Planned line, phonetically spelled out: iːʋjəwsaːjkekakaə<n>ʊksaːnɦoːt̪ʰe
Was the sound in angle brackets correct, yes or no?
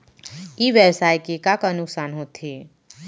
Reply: yes